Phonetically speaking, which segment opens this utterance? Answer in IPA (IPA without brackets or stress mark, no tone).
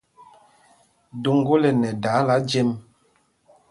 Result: d